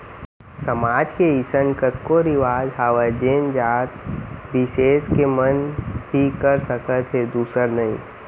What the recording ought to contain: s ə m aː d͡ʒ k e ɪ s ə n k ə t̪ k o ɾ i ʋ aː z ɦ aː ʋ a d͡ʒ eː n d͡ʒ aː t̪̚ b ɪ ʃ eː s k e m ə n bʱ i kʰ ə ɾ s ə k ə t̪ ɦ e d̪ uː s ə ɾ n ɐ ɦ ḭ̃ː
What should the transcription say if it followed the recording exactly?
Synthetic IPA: s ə m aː d͡ʒ k e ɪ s ə n k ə t̪ k o ɾ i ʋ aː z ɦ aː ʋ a d͡ʒ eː n d͡ʒ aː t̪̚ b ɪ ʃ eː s k e m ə n bʱ i k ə ɾ s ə k ə t̪ ɦ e d̪ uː s ə ɾ n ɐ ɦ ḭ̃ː